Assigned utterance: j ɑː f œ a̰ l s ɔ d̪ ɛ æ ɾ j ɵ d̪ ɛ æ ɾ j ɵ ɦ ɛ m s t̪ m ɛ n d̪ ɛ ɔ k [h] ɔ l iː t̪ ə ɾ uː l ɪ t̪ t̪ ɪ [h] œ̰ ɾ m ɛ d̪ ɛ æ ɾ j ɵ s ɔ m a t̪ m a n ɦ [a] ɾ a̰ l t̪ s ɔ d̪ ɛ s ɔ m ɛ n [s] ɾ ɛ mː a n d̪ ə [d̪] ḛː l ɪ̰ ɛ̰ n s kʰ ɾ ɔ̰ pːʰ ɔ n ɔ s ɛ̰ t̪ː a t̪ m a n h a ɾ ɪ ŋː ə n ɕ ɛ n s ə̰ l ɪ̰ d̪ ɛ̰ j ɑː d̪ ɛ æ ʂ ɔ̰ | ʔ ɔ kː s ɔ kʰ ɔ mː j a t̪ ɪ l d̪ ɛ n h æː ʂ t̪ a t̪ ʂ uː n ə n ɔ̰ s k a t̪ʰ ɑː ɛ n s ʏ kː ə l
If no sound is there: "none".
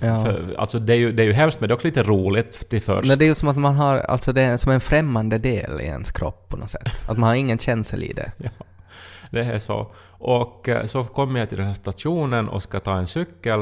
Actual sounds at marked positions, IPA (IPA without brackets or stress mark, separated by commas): s, f, a, f, d̪